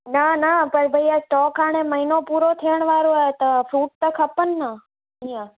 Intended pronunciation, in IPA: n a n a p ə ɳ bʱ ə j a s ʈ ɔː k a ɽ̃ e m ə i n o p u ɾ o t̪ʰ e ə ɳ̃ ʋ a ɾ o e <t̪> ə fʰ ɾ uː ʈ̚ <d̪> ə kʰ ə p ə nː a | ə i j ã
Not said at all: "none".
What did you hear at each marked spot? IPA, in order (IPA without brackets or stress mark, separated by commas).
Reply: t̪, t̪